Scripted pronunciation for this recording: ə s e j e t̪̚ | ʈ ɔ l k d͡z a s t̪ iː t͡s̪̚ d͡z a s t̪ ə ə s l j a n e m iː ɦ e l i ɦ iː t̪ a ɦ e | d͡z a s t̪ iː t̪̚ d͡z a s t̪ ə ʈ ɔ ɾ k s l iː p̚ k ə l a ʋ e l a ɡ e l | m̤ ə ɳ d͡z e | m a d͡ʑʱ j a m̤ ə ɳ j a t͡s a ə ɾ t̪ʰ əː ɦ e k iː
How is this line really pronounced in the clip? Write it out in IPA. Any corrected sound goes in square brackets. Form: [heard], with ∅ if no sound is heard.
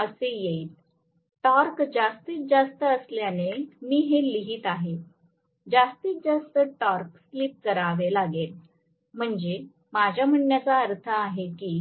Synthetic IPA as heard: ə s e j e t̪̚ | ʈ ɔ [ɾ] k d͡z a s t̪ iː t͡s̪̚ d͡z a s t̪ ə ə s l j a n e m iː ɦ e l i ɦ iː t̪ a ɦ e | d͡z a s t̪ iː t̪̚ d͡z a s t̪ ə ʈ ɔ ɾ k s l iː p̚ k ə [ɾ] a ʋ e l a ɡ e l | m̤ ə ɳ d͡z e | m a d͡ʑʱ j a m̤ ə ɳ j a t͡s a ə ɾ t̪ʰ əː ɦ e k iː